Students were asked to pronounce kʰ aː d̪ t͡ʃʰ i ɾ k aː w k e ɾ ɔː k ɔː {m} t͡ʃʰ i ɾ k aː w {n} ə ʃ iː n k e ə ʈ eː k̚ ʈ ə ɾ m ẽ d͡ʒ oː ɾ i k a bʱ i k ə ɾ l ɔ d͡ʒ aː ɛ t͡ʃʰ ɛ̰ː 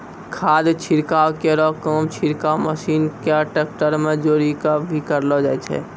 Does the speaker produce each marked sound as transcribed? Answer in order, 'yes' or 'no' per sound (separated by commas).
yes, no